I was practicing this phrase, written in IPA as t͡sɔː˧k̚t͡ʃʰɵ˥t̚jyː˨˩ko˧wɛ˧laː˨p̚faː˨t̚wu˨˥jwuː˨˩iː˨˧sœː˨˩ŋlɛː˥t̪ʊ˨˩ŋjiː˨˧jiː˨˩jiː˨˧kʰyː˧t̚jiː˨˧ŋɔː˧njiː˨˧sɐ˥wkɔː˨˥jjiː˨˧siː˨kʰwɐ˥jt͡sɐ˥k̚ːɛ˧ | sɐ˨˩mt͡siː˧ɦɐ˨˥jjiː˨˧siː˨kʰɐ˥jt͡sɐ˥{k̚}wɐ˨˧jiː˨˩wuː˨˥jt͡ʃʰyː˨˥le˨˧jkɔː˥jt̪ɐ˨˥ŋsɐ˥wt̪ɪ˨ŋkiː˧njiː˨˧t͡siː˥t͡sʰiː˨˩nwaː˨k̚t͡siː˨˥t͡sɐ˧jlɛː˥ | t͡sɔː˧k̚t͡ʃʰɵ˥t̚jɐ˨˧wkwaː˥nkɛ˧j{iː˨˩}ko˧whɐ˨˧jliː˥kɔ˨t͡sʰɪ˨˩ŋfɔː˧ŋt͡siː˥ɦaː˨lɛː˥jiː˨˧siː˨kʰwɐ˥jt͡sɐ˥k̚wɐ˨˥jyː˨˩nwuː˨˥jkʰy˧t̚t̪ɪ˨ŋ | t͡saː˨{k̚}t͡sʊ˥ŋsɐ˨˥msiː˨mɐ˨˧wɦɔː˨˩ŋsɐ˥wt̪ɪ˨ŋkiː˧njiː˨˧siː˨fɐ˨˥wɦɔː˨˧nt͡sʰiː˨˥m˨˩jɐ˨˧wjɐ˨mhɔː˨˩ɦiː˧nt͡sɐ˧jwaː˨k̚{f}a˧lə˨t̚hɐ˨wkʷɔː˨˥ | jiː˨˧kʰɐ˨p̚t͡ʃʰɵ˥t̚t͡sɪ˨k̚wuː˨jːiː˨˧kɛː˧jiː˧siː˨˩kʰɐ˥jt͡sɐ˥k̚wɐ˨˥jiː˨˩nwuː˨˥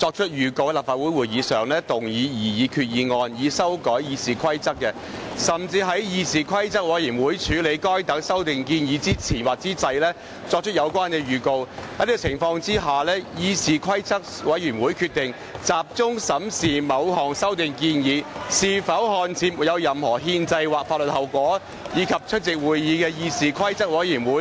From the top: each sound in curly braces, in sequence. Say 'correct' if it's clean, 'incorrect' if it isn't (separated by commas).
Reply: correct, incorrect, incorrect, correct